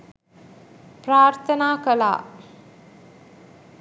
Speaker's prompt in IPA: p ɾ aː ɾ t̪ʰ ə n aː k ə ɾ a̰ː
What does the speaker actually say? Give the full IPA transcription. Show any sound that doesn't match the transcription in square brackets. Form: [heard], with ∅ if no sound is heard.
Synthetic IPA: p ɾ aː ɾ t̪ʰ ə n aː k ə [l] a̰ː

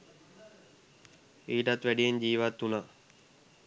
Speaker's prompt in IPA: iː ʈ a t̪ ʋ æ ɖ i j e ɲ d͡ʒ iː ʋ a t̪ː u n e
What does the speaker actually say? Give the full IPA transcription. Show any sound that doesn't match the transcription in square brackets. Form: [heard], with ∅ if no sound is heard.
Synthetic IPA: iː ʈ a t̪ ʋ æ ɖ i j e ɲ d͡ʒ iː ʋ a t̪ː u n [a]

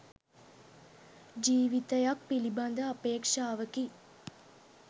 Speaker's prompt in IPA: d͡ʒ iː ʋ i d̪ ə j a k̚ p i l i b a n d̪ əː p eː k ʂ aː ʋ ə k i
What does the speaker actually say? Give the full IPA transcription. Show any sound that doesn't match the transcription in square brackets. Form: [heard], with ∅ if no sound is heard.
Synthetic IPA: d͡ʒ iː ʋ i [t̪] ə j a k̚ p i l i b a n d̪ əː p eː k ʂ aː ʋ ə k i

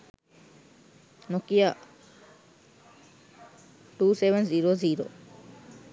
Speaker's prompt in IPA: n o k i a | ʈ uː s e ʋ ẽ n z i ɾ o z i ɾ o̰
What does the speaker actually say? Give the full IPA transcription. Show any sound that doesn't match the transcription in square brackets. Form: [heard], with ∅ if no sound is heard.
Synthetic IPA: n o k i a | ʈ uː s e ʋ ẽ n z i ɾ o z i ɾ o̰

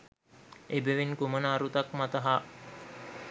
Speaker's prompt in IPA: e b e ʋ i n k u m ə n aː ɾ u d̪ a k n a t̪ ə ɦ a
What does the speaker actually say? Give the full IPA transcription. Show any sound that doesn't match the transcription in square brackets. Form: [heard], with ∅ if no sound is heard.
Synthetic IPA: e b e ʋ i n k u m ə n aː ɾ u [t̪] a k [m] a t̪ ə ɦ a

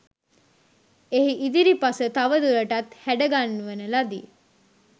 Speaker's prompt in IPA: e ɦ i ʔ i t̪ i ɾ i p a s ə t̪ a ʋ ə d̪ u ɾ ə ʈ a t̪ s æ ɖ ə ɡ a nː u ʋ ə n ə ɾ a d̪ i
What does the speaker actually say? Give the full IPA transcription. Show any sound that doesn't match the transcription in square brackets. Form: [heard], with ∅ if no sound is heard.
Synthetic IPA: e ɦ i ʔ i [d̪] i ɾ i p a s ə t̪ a ʋ ə d̪ u ɾ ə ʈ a t̪ [h] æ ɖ ə ɡ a nː u ʋ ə n ə [l] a d̪ i

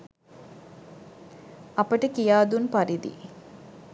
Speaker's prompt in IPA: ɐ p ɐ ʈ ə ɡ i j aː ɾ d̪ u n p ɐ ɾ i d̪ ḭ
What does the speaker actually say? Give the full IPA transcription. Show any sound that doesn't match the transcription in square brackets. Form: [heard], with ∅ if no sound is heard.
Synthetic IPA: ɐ p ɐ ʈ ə [k] i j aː [∅] d̪ u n p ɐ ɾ i d̪ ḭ

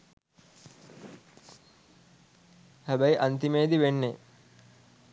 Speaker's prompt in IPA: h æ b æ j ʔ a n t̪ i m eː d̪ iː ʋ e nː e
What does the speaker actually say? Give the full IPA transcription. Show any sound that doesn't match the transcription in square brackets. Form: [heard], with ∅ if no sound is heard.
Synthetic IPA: h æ b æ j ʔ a n t̪ i m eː d̪ [i] ʋ e nː e

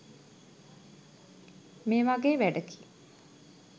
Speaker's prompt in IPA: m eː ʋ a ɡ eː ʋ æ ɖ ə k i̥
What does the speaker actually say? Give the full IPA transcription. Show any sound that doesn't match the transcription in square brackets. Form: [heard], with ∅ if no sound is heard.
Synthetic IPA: m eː ʋ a ɡ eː ʋ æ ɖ ə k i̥

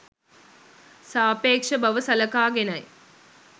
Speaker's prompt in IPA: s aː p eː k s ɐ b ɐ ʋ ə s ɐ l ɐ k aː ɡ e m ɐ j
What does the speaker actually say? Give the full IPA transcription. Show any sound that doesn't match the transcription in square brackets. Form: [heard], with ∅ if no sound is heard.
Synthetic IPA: s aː p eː k [ʂ] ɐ b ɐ ʋ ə s ɐ l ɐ k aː ɡ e [n] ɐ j

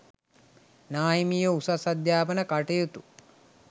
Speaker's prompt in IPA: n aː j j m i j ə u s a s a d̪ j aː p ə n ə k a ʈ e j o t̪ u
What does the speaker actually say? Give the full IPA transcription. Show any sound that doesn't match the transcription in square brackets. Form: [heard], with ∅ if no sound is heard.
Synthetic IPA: n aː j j m i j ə u s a s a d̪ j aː p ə n ə k a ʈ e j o t̪ u

